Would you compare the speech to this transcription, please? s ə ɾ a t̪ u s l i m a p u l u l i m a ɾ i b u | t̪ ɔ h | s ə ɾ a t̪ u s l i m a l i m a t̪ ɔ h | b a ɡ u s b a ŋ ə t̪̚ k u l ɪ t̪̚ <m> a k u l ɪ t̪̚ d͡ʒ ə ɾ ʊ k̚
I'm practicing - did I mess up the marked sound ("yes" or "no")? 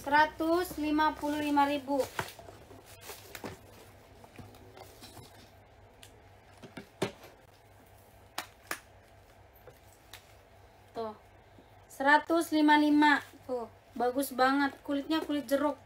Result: yes